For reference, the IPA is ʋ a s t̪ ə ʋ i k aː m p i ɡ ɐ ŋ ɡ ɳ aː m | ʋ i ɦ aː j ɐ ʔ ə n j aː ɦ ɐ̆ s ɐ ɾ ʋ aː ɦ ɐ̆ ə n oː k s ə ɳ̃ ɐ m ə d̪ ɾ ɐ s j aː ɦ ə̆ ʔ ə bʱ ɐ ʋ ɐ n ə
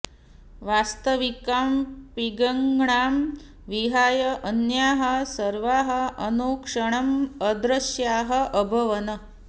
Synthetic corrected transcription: ʋ a s t̪ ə ʋ i k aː m p i ɡ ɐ ŋ ɡ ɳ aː m | ʋ i ɦ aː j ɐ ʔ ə n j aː ɦ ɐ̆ s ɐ ɾ ʋ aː ɦ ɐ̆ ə n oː k ʂ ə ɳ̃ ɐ m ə d̪ ɾ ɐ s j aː ɦ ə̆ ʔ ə bʱ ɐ ʋ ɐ n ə